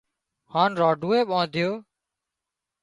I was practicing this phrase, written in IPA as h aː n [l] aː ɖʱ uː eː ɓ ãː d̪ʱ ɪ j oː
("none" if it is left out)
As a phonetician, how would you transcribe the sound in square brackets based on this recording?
ɾ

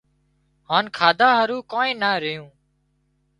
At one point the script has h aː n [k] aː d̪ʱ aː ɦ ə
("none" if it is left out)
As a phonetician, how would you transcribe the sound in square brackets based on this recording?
kʰ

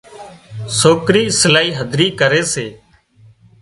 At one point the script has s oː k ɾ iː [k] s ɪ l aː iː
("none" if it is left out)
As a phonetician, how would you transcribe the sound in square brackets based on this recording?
none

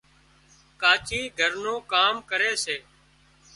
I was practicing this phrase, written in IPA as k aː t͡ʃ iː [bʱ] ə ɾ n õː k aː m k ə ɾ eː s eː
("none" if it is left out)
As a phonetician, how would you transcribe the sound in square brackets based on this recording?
ɡʱ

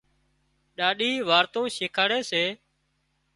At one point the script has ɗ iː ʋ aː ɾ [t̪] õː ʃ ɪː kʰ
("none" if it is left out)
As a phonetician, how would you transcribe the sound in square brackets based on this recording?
t̪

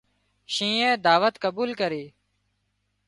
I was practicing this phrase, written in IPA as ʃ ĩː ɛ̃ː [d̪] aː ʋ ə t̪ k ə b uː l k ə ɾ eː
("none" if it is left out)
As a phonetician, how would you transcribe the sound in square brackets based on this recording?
d̪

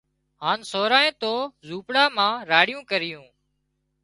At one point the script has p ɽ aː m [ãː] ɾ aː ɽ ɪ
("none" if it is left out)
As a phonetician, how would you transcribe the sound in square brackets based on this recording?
ãː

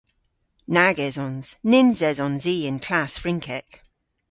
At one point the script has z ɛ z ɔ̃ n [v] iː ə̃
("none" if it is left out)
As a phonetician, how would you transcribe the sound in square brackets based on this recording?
z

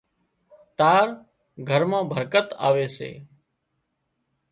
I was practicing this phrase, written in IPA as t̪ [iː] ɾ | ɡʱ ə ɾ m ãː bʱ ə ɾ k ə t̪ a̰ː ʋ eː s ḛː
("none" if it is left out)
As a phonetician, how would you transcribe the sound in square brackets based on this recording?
aː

